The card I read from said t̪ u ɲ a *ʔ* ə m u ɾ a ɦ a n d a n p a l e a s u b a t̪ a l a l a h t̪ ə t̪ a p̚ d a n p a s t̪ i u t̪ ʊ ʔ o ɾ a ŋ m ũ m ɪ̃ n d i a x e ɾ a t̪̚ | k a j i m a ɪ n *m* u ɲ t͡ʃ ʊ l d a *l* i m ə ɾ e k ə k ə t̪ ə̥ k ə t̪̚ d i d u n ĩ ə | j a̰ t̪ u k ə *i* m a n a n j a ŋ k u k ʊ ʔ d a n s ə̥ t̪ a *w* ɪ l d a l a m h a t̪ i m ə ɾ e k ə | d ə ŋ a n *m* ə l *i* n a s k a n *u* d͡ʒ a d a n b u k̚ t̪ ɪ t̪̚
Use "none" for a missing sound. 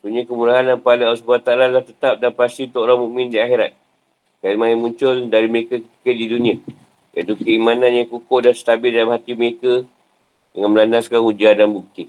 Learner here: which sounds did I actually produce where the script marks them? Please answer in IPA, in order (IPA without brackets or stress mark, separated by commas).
k, m, ɾ, i, b, m, a, u